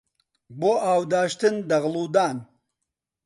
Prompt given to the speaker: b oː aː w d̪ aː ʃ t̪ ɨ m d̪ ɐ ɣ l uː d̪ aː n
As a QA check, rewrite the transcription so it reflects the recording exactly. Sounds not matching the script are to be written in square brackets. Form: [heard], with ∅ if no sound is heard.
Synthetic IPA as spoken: b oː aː w d̪ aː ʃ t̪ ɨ [n] d̪ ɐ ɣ l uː d̪ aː n